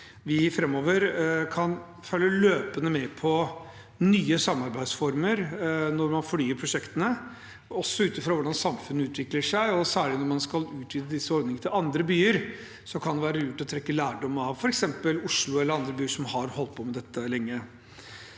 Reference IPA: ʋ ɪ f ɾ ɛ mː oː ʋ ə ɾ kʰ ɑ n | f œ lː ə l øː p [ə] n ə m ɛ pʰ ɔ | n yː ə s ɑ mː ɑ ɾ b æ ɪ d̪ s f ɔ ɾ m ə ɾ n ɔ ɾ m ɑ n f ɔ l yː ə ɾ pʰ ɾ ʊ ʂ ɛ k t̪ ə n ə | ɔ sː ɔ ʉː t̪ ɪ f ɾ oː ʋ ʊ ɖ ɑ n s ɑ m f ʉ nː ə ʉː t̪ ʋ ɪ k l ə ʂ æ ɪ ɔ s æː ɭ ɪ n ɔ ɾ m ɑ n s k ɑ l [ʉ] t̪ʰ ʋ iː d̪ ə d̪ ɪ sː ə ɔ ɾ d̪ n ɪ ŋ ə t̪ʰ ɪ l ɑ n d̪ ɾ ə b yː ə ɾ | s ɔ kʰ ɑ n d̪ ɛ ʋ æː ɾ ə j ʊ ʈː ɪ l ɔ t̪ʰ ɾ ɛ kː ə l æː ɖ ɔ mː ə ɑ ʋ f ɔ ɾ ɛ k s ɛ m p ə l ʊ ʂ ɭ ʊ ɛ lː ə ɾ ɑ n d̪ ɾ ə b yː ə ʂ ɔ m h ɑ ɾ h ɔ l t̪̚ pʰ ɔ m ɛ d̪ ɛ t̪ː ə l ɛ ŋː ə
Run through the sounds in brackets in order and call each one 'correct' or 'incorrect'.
correct, incorrect

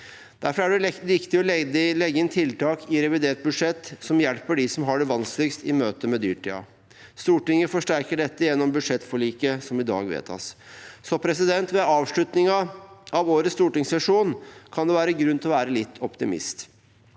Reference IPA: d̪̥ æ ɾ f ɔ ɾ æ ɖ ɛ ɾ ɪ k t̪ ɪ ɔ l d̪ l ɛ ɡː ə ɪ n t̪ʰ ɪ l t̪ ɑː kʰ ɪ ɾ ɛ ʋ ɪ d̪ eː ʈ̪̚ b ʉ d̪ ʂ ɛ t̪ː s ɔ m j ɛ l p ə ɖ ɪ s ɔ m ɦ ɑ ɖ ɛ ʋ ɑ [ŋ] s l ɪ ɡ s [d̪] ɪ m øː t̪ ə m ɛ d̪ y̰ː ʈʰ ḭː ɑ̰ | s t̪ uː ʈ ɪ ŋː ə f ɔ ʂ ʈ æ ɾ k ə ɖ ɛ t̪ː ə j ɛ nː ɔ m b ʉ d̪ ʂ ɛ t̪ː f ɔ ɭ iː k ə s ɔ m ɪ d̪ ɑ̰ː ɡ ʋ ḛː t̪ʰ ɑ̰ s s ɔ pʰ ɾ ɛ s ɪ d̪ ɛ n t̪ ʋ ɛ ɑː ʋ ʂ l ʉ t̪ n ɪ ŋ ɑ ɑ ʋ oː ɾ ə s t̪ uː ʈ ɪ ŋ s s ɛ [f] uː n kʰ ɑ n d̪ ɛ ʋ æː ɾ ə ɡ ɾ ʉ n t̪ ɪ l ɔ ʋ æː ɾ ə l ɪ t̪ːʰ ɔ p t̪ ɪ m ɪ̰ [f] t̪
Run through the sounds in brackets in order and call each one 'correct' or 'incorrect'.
incorrect, incorrect, incorrect, incorrect

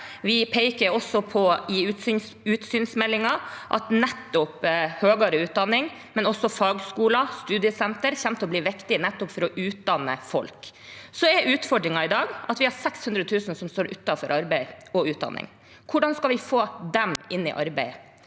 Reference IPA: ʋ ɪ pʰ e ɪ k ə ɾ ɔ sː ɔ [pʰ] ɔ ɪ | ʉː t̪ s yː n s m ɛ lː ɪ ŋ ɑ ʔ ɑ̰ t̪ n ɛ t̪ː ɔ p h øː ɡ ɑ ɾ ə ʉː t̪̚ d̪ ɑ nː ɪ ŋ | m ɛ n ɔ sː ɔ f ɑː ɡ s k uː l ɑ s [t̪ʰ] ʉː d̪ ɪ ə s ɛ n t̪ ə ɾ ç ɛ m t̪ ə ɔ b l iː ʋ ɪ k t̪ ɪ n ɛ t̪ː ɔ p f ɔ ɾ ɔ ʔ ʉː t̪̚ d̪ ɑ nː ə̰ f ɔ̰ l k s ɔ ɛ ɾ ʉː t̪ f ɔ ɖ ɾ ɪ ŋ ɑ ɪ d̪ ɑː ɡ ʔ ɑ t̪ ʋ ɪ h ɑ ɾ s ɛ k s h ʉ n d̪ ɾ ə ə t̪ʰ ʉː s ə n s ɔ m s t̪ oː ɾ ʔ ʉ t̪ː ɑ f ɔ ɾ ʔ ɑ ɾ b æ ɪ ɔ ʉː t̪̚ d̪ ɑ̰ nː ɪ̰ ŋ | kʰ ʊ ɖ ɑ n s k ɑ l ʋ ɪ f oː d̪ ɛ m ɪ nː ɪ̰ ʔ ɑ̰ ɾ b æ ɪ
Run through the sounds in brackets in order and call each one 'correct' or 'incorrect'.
correct, incorrect

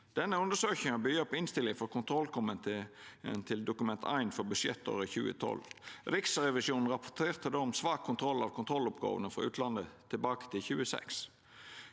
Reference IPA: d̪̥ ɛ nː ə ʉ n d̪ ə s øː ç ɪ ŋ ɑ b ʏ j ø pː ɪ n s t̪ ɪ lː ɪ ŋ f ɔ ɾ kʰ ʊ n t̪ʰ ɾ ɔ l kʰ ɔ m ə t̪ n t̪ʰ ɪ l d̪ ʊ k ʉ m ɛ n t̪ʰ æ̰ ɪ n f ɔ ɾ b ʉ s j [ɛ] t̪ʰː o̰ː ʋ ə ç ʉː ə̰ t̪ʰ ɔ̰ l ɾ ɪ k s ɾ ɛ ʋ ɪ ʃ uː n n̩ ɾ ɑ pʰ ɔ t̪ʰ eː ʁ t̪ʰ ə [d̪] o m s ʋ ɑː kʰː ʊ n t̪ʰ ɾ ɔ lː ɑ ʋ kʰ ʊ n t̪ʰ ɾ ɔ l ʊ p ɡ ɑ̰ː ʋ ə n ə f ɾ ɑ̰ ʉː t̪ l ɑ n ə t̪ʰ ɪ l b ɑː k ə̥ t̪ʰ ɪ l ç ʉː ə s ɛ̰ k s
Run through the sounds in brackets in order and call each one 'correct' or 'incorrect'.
correct, correct

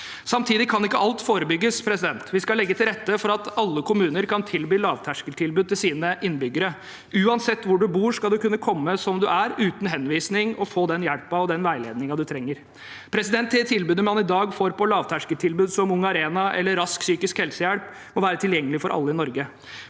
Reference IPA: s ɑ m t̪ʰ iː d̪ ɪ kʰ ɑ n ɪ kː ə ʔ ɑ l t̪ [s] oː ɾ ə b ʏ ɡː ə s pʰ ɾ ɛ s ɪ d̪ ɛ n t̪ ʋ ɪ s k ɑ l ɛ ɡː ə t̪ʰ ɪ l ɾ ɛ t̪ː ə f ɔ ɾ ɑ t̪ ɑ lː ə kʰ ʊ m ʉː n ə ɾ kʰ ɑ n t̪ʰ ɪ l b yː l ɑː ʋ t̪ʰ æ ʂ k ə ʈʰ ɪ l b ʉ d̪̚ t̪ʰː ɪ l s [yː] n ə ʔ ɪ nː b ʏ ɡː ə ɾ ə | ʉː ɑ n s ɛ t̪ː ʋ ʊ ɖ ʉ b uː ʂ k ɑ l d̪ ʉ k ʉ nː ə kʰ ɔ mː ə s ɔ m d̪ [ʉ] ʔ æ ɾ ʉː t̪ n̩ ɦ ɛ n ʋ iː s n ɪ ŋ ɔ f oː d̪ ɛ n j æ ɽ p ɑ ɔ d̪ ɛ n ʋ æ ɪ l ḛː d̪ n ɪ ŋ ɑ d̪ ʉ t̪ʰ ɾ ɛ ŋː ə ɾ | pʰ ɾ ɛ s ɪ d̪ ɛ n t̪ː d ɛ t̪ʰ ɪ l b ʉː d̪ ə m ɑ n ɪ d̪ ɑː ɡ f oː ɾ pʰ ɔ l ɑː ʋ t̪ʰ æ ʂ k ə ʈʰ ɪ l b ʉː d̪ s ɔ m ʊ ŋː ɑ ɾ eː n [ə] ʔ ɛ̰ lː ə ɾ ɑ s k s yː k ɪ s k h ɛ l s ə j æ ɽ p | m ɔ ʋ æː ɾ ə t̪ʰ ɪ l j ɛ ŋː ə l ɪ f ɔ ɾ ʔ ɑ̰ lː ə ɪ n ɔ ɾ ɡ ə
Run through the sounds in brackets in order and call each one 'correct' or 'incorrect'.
incorrect, incorrect, correct, incorrect

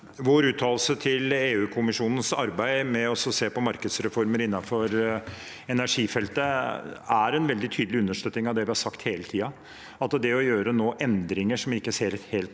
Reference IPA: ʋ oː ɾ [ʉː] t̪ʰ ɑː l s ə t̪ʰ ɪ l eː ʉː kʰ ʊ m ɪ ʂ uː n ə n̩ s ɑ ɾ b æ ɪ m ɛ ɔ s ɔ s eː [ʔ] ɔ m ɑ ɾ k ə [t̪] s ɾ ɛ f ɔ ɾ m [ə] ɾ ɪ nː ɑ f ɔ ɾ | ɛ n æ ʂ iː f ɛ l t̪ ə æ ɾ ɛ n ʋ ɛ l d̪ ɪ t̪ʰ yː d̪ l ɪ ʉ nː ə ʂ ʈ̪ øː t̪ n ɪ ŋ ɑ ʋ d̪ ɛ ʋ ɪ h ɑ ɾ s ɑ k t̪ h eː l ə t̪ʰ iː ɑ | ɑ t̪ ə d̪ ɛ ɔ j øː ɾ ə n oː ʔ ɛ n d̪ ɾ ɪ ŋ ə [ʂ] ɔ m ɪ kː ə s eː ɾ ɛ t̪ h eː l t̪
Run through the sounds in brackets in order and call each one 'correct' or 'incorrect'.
correct, incorrect, incorrect, correct, correct

